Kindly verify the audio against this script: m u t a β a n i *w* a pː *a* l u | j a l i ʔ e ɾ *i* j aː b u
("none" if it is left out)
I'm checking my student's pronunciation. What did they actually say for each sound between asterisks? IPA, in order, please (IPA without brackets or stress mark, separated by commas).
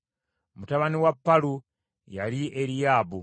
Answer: w, a, i